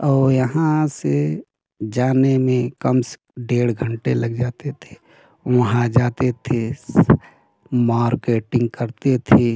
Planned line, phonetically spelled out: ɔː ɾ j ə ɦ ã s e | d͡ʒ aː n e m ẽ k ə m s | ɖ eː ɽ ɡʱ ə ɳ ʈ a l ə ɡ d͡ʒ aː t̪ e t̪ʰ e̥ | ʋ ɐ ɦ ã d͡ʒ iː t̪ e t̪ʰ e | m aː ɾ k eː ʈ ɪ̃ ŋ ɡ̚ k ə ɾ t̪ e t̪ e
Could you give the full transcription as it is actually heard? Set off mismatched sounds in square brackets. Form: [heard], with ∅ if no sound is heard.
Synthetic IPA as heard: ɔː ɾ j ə ɦ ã s e | d͡ʒ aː n e m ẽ k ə m s | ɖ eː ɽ ɡʱ ə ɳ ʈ [e] l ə ɡ d͡ʒ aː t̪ e t̪ʰ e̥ | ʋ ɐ ɦ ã d͡ʒ [aː] t̪ e t̪ʰ e | m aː ɾ k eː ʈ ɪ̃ ŋ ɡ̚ k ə ɾ t̪ e [t̪ʰ] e

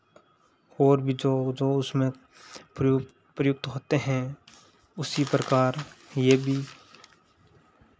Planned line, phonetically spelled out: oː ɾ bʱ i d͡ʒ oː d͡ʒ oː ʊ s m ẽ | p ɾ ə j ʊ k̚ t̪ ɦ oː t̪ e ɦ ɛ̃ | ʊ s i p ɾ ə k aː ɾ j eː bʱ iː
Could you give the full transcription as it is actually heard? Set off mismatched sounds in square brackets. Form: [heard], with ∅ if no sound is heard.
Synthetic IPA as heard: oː ɾ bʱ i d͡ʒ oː d͡ʒ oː ʊ s m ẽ | p ɾ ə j ʊ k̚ t̪ ɦ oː t̪ e ɦ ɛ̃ | ʊ s i p ɾ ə k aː ɾ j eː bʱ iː

